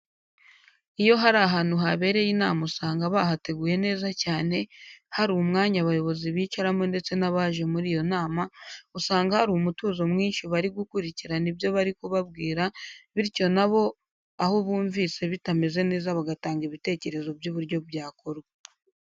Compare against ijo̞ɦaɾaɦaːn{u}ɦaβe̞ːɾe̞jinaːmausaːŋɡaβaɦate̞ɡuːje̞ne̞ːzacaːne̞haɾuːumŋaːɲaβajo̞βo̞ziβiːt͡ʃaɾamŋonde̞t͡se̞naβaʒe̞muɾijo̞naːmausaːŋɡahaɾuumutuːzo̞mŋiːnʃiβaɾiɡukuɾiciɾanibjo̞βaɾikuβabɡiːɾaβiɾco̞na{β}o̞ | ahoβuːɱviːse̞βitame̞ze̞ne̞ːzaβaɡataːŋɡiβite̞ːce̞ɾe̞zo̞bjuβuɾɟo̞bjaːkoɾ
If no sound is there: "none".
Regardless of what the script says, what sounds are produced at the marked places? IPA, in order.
u, β

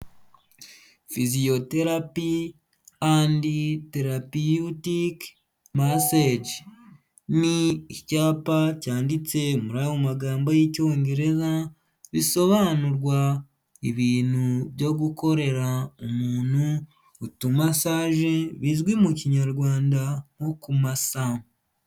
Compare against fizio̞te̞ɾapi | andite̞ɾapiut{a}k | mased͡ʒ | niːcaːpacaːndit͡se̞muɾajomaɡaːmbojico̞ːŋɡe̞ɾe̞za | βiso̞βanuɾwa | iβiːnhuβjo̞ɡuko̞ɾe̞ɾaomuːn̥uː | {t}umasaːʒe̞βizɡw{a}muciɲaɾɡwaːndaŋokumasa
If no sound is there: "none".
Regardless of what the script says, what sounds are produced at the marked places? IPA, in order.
i, t, i

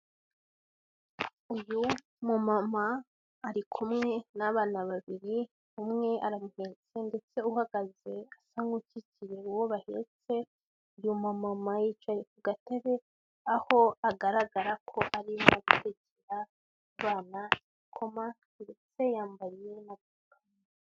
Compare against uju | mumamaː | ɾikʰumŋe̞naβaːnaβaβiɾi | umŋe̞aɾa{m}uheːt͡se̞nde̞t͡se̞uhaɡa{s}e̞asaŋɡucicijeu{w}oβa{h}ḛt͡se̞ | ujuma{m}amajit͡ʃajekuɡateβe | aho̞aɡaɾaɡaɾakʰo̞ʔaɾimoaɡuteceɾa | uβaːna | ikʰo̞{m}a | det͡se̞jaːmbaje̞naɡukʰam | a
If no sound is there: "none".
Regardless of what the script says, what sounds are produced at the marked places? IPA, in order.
m, z, w, h, m, m

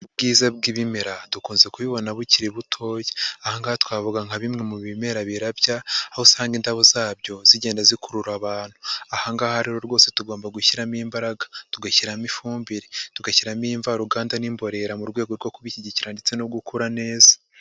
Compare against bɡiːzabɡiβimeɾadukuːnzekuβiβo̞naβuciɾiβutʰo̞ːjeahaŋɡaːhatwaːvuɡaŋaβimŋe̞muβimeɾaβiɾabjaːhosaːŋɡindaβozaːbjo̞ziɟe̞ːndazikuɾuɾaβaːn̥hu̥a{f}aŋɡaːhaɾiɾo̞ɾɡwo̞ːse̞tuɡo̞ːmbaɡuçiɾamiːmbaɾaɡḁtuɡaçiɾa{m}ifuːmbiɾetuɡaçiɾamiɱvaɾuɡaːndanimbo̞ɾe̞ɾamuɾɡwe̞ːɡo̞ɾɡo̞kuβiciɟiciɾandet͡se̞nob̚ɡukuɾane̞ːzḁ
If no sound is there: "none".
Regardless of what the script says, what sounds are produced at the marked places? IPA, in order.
h, m

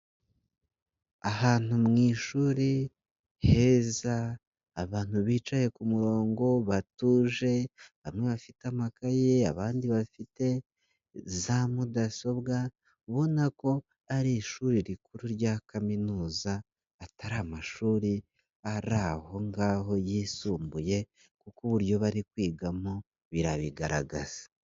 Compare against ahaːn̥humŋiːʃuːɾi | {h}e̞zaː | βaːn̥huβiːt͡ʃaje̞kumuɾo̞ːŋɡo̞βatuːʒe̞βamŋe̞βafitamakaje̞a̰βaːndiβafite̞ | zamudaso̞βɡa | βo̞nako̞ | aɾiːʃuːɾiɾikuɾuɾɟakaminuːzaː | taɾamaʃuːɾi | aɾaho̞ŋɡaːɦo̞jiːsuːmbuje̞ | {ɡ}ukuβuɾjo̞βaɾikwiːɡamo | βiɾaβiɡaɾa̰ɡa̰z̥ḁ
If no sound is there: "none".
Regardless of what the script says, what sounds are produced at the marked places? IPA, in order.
h, k

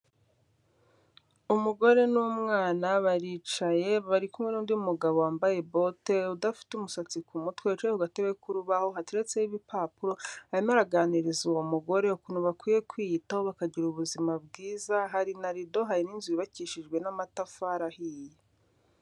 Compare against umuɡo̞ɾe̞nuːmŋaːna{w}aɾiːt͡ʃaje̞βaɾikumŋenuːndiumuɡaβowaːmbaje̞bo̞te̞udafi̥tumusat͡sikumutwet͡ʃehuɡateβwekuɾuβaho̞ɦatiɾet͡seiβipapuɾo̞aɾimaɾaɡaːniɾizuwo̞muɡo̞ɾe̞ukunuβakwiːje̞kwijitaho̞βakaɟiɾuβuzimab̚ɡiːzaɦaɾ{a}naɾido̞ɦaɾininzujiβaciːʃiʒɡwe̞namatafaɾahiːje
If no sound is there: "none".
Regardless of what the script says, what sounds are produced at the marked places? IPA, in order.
β, i

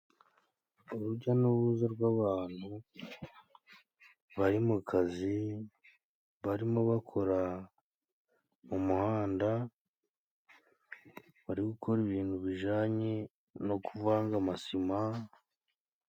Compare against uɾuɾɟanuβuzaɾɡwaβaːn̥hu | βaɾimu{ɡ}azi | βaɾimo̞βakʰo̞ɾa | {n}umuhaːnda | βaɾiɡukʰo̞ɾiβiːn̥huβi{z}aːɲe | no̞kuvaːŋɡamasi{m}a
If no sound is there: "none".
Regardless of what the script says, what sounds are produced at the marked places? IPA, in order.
k, m, ʒ, m

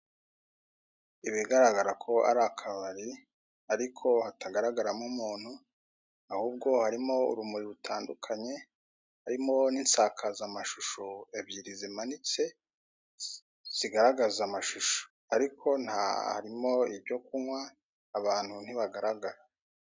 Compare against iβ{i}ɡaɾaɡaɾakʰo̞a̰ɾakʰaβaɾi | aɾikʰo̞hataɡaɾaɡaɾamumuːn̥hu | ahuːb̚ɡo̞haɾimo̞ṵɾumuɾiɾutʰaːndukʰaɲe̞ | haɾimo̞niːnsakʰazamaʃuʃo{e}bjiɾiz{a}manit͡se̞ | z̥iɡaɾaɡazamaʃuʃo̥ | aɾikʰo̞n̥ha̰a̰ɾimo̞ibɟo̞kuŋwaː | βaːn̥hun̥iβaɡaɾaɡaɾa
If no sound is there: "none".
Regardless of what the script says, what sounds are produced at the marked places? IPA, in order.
i, e, i

